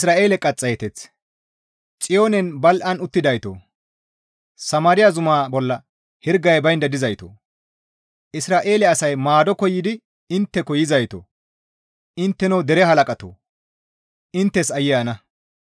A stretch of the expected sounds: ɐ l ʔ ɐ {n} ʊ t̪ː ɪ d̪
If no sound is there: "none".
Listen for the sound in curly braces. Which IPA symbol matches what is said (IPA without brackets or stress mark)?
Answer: n